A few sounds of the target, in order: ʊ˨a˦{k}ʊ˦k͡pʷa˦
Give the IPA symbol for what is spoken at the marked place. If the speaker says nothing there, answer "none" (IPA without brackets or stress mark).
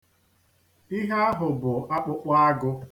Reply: k͡p